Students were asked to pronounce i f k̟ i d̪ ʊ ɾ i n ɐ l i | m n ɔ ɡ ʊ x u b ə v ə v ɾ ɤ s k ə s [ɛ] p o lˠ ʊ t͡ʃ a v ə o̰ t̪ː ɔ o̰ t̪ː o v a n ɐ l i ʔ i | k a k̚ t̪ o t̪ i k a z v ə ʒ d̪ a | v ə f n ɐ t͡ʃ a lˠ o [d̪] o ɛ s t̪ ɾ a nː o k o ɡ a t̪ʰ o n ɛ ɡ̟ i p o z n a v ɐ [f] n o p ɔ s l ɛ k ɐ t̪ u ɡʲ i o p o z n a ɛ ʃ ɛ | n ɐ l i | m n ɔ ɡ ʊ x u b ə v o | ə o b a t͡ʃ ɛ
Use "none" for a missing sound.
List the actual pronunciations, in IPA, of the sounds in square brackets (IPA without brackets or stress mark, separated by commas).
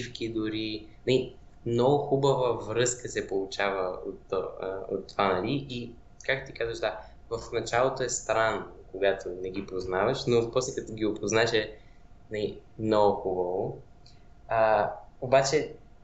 ɛ, t̪, ʃ